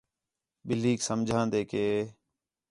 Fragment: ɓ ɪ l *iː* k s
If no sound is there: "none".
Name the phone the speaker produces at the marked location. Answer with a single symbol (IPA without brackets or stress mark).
iː